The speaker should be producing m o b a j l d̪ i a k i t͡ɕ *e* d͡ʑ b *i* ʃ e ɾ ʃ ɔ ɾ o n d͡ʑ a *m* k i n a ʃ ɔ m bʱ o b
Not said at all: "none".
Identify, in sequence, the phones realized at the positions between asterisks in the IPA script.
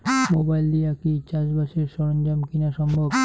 a, a, m

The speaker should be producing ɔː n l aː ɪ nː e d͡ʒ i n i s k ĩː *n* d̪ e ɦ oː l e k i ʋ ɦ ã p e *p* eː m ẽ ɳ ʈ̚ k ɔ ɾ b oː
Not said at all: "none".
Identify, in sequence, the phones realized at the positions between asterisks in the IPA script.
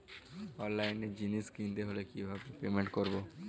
n, p

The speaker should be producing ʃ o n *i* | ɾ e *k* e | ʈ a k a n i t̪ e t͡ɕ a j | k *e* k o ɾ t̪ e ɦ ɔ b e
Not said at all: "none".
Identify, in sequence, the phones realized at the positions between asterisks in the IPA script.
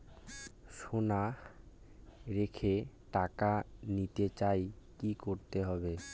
a, kʰ, i

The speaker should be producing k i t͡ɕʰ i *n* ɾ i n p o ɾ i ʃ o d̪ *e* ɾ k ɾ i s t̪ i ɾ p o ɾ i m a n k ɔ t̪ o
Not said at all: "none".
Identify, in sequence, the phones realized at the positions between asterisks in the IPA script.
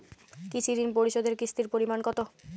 none, e

